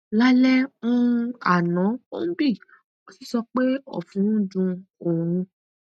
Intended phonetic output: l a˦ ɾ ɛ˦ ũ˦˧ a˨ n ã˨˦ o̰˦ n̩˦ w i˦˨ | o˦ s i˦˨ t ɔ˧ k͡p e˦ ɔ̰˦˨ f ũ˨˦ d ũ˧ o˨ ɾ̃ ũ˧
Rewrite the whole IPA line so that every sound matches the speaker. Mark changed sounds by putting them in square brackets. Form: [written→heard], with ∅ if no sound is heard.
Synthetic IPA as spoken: l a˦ [ɾ→l] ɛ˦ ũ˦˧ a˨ n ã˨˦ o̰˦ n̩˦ [w→b] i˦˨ | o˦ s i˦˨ [t→s] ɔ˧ k͡p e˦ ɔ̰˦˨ f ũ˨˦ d ũ˧ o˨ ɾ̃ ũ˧